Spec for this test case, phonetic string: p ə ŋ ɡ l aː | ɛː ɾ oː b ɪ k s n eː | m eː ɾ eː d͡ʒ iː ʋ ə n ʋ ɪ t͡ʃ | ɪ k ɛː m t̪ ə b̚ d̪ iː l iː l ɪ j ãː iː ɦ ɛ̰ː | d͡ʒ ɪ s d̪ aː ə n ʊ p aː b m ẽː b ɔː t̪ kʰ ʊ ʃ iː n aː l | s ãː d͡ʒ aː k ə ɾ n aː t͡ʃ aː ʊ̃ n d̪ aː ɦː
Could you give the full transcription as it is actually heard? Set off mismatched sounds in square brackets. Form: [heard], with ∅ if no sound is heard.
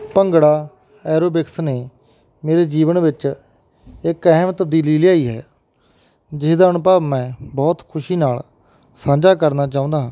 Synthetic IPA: p ə ŋ ɡ [ɽ] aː | ɛː ɾ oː b ɪ k s n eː | m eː ɾ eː d͡ʒ iː ʋ ə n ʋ ɪ t͡ʃ | ɪ k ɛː m t̪ ə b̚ d̪ iː l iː l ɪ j [aː] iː ɦ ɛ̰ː | d͡ʒ ɪ s d̪ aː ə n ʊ p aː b m [ɛ̃ː] b ɔː t̪ kʰ ʊ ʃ iː n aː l | s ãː d͡ʒ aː k ə ɾ n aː t͡ʃ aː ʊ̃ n d̪ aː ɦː

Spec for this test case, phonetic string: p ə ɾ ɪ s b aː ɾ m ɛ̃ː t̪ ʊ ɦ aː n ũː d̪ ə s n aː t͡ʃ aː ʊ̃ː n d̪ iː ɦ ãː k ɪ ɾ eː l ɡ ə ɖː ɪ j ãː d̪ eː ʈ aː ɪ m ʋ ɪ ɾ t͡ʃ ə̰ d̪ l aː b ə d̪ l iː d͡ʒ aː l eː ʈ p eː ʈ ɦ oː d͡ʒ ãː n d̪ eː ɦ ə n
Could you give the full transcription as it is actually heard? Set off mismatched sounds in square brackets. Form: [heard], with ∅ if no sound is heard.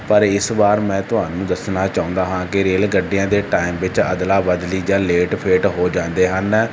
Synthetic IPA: p ə ɾ ɪ s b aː ɾ m ɛ̃ː t̪ ʊ ɦ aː n ũː d̪ ə s n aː t͡ʃ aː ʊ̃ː n d̪ [aː] ɦ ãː k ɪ ɾ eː l ɡ ə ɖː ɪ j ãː d̪ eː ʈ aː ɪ m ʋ ɪ [∅] t͡ʃ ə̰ d̪ l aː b ə d̪ l iː d͡ʒ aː l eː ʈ [pʰ] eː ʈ ɦ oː d͡ʒ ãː n d̪ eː ɦ ə n

